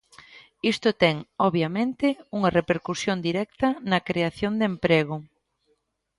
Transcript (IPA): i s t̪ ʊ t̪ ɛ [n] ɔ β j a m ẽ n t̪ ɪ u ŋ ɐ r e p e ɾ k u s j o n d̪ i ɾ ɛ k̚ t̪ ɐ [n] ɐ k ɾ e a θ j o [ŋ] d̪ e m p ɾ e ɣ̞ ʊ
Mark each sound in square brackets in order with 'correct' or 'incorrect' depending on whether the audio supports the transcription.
incorrect, correct, incorrect

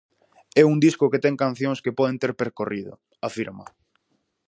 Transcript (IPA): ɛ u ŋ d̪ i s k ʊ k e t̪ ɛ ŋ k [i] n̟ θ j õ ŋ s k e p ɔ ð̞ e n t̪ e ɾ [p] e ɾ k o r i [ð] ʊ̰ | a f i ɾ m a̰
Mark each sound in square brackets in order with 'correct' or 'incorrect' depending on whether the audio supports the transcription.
incorrect, correct, correct

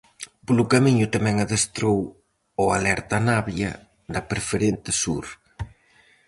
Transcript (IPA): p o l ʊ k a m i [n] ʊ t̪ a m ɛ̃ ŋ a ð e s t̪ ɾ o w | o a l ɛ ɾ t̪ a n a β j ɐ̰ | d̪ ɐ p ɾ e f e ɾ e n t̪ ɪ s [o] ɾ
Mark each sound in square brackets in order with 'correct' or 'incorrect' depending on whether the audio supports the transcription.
incorrect, incorrect

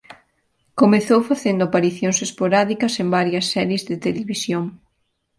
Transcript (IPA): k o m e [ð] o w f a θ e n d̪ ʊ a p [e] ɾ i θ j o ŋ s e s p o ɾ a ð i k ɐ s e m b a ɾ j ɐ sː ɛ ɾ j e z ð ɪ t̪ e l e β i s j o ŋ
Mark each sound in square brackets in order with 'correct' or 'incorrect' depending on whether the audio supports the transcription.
incorrect, incorrect

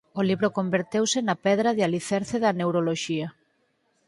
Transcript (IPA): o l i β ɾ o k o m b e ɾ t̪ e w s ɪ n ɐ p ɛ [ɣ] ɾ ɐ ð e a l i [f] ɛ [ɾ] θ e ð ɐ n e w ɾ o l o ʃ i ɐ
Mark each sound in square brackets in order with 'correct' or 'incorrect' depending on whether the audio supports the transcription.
incorrect, incorrect, correct

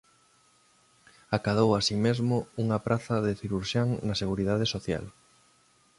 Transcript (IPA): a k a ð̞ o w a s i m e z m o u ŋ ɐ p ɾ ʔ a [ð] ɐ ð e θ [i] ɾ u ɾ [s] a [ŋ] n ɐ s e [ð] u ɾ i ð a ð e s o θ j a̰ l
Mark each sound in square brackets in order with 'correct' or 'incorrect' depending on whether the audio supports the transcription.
incorrect, correct, incorrect, correct, incorrect

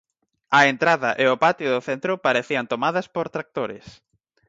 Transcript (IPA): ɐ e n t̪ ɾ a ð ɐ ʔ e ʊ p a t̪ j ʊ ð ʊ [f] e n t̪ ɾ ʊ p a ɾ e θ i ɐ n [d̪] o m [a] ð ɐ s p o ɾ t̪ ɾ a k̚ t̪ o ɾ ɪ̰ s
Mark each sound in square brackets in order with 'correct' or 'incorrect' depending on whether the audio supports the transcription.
incorrect, incorrect, correct

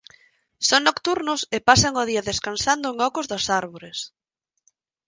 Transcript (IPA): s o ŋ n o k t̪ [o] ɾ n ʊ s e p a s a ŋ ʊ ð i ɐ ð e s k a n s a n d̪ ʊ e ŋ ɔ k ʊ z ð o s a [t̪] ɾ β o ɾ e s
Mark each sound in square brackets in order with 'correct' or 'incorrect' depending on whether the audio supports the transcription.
incorrect, incorrect

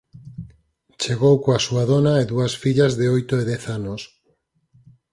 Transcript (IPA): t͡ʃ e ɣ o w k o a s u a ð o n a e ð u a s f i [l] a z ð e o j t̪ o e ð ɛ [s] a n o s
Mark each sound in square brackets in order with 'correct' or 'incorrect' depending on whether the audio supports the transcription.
incorrect, incorrect

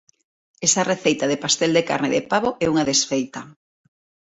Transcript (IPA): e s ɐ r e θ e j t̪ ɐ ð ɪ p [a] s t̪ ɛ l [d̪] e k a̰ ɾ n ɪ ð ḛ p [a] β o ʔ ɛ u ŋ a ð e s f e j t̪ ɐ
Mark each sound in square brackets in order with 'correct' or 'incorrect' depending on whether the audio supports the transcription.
correct, correct, correct

